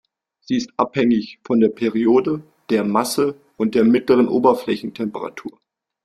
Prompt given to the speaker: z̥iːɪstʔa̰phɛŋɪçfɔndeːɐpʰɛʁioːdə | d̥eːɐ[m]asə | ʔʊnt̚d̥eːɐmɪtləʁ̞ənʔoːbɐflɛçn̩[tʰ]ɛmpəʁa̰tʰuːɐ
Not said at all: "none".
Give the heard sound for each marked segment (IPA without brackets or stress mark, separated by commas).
m, tʰ